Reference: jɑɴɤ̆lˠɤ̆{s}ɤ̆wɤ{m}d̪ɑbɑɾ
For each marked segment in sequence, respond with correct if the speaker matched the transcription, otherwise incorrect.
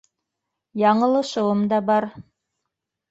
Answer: incorrect, correct

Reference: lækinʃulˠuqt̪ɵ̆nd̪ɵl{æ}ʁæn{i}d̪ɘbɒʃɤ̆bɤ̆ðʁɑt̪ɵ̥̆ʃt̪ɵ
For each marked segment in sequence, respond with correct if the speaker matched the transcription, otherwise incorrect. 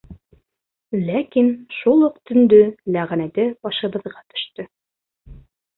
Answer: correct, incorrect

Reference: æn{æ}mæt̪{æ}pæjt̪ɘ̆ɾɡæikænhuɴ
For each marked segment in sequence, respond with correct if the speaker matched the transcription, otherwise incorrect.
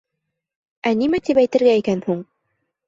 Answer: incorrect, incorrect

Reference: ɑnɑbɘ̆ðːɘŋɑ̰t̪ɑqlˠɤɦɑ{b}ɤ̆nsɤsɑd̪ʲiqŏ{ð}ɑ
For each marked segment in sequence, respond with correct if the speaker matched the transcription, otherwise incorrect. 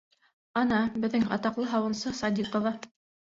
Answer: incorrect, incorrect

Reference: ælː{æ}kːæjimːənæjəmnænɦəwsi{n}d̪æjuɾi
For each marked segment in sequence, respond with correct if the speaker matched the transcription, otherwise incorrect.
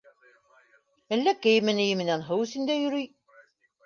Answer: correct, correct

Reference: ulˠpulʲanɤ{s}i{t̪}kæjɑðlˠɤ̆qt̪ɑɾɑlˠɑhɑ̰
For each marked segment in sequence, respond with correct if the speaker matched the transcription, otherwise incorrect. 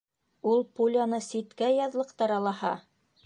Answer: correct, correct

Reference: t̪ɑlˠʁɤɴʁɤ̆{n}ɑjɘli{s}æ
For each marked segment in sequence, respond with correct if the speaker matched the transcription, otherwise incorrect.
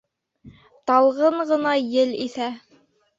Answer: correct, incorrect

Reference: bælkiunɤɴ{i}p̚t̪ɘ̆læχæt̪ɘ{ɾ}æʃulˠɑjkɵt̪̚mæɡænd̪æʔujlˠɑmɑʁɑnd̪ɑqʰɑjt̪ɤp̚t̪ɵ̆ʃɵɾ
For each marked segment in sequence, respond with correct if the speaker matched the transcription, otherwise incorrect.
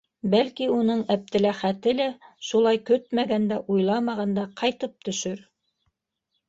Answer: incorrect, incorrect

